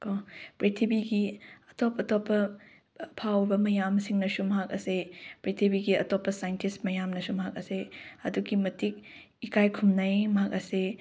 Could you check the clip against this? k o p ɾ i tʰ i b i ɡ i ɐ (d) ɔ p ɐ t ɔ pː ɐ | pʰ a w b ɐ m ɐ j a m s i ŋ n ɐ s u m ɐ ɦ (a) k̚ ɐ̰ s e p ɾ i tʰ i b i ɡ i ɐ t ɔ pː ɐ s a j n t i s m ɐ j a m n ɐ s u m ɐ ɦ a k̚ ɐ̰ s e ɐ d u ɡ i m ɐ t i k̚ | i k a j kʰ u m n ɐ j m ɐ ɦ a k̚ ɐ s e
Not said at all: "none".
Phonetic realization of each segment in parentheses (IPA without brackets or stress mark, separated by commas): t, a